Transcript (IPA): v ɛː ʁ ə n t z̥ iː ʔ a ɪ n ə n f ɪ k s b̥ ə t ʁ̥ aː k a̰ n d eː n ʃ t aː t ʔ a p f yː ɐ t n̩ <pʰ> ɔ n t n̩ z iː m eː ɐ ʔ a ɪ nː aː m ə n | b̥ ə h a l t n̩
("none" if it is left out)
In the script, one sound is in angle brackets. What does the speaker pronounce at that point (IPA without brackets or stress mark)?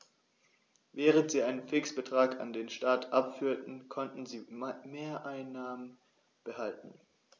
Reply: kʰ